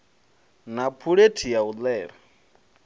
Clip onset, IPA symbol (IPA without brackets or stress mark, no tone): n